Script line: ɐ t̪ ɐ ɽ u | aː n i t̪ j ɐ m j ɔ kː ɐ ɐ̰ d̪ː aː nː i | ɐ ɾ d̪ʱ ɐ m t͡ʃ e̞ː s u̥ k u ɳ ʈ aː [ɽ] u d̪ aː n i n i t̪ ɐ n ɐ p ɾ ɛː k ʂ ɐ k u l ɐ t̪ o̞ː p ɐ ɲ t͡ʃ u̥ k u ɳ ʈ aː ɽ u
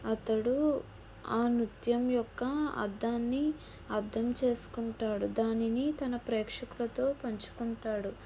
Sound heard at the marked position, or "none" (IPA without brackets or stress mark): ɽ